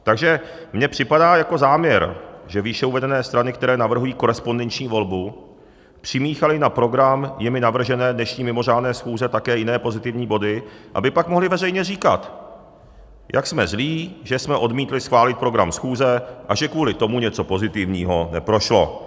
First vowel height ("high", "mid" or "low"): low